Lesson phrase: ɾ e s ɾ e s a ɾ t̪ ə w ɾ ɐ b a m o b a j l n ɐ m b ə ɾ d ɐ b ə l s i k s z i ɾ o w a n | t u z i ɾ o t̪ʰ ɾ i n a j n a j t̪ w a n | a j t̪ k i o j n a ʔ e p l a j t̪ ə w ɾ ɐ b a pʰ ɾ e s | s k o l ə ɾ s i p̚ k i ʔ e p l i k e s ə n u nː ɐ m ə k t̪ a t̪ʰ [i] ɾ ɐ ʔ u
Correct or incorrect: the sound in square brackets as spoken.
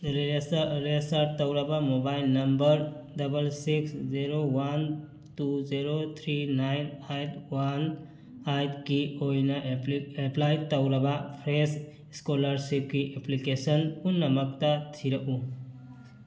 correct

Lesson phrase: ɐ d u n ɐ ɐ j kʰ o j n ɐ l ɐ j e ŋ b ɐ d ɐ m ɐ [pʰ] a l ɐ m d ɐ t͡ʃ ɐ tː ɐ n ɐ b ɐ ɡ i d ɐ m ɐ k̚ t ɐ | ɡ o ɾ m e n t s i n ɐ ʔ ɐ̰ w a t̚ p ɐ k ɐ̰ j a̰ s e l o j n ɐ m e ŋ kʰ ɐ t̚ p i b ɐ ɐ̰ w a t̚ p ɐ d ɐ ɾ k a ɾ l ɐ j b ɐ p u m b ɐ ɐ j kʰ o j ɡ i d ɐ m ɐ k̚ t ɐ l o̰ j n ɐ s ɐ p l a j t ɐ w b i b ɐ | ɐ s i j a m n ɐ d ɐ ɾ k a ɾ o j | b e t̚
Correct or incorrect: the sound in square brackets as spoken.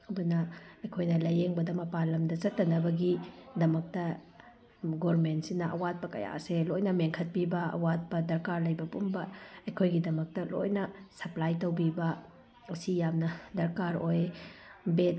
incorrect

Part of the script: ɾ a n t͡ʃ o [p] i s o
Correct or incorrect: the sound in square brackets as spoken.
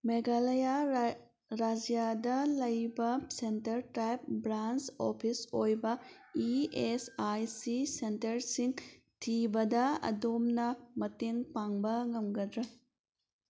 incorrect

